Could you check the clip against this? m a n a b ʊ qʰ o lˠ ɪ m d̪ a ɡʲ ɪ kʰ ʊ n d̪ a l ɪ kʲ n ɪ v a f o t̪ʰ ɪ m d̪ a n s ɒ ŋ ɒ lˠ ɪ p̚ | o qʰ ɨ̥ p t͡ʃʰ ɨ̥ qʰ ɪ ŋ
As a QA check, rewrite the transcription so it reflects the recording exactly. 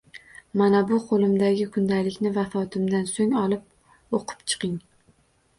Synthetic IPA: m a n a b ʊ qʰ o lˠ ɪ m d̪ a ɡʲ ɪ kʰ ʊ n d̪ a l ɪ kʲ n ɪ v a f ɒ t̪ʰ ɪ m d̪ a n s o ŋ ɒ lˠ ɪ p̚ | o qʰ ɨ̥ p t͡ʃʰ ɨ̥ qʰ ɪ ŋ